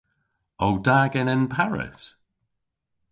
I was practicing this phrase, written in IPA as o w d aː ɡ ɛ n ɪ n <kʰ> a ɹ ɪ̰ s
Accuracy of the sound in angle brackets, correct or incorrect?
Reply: incorrect